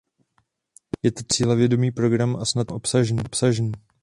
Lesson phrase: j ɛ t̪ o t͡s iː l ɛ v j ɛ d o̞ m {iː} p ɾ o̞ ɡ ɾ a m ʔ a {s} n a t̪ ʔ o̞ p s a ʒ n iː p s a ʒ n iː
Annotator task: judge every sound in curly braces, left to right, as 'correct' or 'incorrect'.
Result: correct, correct

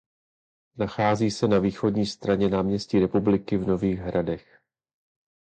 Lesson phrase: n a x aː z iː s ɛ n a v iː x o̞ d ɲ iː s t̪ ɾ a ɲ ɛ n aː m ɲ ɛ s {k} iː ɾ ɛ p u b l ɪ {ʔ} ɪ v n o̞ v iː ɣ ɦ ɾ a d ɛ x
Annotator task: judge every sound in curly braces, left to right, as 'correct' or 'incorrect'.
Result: incorrect: c, incorrect: k

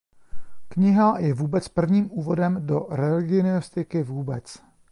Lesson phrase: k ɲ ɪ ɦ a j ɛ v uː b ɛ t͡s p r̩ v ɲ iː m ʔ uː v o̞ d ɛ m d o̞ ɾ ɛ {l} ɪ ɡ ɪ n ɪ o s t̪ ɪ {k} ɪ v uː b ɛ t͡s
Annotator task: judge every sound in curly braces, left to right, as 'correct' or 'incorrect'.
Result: correct, correct

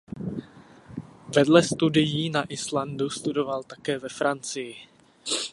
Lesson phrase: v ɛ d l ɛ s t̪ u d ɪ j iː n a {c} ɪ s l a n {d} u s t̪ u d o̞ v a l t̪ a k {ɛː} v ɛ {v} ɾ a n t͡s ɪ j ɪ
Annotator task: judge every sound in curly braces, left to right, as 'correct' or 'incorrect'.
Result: incorrect: ʔ, correct, correct, incorrect: f

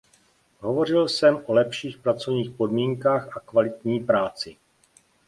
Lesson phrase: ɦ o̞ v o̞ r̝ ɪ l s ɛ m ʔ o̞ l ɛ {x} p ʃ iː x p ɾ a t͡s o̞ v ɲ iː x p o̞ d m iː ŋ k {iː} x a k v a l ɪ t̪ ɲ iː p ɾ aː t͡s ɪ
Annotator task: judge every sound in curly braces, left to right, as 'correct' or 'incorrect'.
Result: incorrect: none, incorrect: aː

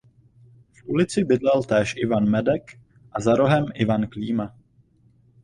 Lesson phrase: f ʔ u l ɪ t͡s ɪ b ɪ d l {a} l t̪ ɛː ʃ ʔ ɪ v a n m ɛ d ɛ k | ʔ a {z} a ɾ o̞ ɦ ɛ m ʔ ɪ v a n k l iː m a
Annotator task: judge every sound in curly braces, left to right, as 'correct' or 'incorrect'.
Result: incorrect: ɛ, correct

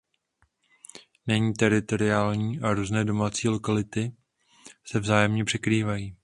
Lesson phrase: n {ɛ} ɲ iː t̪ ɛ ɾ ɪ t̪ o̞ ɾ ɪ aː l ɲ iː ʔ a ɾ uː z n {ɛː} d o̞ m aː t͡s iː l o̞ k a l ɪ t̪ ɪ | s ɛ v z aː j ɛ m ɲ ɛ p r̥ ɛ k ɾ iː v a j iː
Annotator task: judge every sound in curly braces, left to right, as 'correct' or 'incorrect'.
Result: correct, correct

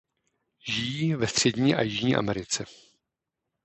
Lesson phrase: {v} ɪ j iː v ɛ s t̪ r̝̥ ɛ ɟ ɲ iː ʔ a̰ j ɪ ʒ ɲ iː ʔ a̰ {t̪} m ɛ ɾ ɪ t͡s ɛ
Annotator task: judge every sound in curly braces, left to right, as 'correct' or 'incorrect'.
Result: incorrect: ʒ, incorrect: none

